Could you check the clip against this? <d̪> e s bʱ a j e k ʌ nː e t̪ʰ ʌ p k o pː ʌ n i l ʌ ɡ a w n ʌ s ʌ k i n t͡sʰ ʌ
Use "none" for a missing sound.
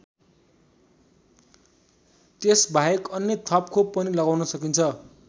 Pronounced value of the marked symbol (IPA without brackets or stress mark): t̪